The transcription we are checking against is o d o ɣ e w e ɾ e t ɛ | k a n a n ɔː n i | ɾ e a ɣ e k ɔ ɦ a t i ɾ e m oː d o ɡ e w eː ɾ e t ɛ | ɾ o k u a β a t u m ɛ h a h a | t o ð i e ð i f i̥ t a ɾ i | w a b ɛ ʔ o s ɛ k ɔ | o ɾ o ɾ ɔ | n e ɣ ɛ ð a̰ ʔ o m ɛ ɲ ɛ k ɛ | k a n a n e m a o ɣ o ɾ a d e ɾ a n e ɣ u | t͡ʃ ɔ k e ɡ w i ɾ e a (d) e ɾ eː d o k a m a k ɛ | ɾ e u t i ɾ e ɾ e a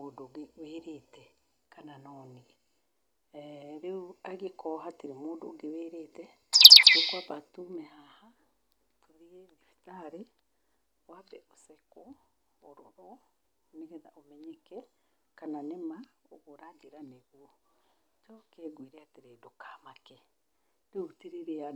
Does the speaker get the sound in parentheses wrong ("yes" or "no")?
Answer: yes